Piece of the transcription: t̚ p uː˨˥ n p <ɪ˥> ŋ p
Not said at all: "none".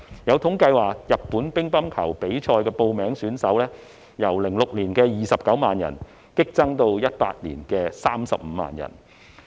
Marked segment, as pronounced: ɪ˥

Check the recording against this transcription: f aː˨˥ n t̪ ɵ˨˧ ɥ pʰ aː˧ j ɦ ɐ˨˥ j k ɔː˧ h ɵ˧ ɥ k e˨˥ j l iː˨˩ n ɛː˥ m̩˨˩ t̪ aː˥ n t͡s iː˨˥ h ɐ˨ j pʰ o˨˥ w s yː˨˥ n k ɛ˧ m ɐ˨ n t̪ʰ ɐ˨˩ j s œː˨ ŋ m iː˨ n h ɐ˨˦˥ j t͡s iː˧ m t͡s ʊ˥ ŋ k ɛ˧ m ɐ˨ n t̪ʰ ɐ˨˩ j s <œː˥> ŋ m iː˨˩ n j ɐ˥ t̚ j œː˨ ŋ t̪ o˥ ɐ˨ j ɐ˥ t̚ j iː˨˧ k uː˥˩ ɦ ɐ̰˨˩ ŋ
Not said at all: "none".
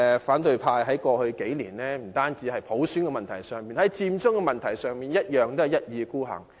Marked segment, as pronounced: œː˨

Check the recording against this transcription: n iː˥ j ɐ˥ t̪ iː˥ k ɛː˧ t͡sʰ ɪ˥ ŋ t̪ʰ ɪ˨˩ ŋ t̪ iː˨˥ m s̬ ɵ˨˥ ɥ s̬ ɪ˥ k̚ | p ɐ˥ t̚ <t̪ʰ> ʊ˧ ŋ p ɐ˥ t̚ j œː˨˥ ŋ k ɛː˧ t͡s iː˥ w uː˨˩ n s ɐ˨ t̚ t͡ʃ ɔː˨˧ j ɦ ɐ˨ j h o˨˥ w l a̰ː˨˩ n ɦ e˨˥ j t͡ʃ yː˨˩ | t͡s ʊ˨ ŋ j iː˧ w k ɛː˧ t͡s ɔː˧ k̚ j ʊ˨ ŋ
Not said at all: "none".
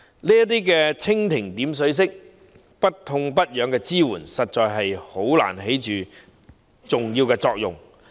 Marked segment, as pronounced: t̪ʰ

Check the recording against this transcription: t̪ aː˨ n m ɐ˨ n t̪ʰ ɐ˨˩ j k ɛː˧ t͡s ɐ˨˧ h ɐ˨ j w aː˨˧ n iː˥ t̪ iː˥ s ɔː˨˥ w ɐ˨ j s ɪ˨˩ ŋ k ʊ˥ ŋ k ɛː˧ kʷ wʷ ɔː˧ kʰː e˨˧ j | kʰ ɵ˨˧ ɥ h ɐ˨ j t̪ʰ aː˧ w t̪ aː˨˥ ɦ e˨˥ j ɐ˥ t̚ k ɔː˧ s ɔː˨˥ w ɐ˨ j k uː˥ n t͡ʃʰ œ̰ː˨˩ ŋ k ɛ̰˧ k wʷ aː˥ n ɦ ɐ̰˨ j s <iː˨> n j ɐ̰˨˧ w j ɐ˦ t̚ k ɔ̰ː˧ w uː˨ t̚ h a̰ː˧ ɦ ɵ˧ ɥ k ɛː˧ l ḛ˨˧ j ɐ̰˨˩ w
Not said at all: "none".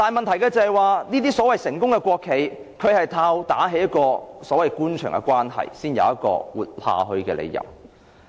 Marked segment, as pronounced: iː˥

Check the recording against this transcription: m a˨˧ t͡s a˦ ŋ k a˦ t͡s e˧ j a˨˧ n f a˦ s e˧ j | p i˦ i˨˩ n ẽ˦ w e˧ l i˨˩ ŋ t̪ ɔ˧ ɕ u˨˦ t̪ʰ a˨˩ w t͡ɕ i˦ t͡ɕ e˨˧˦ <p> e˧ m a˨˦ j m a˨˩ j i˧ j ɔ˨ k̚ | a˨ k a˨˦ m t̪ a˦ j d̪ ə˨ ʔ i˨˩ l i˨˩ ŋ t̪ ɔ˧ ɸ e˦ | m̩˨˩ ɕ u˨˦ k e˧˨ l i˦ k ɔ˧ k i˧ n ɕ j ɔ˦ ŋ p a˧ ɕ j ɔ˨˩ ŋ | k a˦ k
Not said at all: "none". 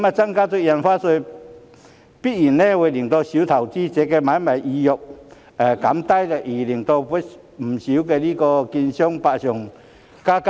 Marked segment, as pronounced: k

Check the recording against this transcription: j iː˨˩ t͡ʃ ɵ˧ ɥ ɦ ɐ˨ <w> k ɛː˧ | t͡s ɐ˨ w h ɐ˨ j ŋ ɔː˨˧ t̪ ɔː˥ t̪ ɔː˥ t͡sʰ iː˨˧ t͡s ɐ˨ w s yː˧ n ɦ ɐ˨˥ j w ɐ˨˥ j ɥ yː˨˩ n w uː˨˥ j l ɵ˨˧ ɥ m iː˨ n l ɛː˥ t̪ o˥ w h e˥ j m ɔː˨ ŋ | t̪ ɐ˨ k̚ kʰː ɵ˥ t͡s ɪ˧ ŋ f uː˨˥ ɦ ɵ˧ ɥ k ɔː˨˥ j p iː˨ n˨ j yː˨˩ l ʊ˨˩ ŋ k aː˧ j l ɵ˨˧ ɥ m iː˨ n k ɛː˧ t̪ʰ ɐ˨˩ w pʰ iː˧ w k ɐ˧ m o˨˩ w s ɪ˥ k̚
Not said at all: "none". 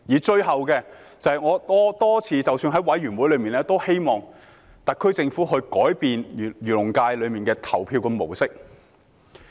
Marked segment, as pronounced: w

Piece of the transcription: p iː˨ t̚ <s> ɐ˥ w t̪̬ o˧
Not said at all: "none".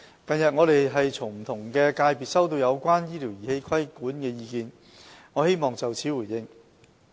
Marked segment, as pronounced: s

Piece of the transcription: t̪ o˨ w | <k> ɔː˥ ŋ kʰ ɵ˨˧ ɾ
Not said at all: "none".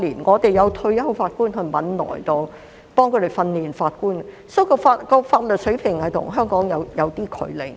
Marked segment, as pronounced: p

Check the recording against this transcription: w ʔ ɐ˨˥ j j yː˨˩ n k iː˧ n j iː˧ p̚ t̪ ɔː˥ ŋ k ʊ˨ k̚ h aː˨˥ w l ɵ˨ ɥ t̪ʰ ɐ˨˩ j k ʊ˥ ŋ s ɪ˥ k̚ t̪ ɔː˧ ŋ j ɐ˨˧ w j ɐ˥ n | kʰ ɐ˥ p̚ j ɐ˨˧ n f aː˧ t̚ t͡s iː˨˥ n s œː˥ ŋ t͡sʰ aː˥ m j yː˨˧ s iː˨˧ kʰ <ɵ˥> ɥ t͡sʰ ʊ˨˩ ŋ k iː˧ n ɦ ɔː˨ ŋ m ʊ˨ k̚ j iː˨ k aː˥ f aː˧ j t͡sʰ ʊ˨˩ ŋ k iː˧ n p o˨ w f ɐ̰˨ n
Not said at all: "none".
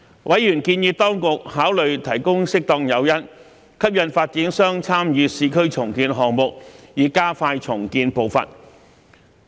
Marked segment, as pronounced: ɵ˥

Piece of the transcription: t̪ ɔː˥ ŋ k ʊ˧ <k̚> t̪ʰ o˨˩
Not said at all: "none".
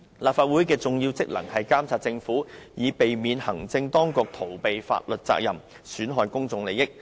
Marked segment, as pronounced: k̚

